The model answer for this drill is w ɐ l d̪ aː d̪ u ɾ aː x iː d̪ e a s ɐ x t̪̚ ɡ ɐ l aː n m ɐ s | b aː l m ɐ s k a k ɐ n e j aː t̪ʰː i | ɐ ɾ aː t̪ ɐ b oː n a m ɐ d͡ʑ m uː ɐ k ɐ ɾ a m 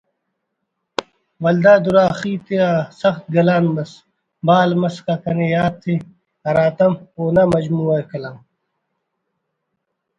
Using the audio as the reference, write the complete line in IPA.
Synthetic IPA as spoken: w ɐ l d̪ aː d̪ u ɾ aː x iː t̪ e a s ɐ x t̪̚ ɡ ɐ l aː n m ɐ s | b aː l m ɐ s k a k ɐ n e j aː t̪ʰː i | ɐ ɾ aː t̪ ɐ m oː n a m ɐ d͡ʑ m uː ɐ k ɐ l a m